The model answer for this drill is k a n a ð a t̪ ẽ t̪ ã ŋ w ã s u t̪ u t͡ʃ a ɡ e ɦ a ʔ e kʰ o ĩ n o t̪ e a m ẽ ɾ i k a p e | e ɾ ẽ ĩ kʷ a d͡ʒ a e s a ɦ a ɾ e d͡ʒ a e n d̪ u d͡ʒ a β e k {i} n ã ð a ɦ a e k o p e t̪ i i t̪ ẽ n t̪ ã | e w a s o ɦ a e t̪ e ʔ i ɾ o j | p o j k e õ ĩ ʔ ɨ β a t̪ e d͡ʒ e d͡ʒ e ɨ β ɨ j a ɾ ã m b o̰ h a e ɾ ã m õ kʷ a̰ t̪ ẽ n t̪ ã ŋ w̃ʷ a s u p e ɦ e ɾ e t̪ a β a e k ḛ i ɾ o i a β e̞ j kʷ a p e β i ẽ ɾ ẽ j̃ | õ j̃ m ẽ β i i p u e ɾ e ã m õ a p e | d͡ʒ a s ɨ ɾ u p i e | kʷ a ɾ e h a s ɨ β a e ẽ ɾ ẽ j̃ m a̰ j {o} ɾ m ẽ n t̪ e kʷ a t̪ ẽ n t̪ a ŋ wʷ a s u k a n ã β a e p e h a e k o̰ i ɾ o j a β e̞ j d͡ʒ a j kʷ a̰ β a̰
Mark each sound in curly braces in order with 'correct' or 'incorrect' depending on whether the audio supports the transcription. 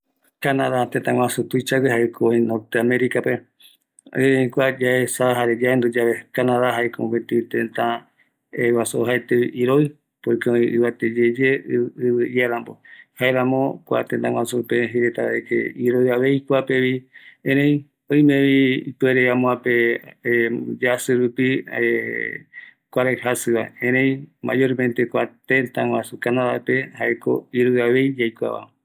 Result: incorrect, correct

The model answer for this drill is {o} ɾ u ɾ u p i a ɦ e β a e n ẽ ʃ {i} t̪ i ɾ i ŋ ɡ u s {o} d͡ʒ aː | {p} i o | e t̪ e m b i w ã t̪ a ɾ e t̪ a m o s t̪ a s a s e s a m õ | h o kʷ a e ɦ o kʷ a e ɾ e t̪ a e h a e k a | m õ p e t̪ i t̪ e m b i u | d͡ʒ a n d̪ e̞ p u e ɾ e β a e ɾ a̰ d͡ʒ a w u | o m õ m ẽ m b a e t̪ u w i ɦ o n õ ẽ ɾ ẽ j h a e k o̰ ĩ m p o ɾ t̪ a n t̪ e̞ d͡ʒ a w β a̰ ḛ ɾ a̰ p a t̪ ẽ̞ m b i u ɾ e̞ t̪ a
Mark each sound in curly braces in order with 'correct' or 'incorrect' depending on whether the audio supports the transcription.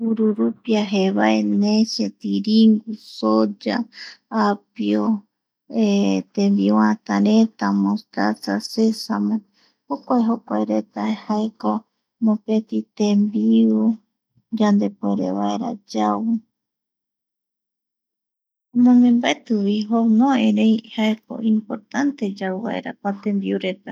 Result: incorrect, incorrect, correct, correct

